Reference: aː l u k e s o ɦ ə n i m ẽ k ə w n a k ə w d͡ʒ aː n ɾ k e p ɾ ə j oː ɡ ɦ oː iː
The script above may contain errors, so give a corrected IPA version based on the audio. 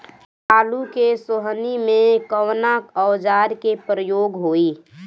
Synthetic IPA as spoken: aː l u k e s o ɦ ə n i m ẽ k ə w n a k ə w d͡ʒ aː ɾ k e p ɾ ə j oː ɡ ɦ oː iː